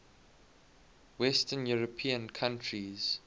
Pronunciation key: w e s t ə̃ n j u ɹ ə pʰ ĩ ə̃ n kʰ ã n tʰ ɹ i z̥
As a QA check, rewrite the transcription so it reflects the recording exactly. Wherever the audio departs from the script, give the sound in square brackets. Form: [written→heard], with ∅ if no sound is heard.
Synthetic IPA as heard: w [e→ɛ] s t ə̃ n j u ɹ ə pʰ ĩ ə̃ n kʰ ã n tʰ ɹ i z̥